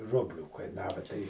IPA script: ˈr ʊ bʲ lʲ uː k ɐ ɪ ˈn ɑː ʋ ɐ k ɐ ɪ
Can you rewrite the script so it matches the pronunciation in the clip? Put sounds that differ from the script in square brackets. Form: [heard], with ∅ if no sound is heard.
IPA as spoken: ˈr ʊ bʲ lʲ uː k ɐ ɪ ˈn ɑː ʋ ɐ [t] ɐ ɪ